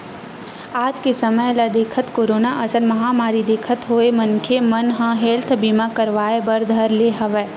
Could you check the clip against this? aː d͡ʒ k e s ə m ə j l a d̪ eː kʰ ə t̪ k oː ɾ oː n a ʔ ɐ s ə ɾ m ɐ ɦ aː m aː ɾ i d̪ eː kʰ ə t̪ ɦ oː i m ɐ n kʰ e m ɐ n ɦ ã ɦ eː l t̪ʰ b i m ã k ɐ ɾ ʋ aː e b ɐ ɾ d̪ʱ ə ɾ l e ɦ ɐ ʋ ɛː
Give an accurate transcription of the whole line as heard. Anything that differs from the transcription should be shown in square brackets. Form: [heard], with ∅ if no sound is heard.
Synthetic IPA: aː d͡ʒ k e s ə m ə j l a d̪ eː kʰ ə t̪ k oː ɾ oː n a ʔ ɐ s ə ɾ m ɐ ɦ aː m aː ɾ i d̪ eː kʰ ə t̪ ɦ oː [e] m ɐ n kʰ e m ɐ n ɦ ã ɦ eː l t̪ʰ b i m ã k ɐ ɾ ʋ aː e b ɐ ɾ d̪ʱ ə ɾ l e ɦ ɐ ʋ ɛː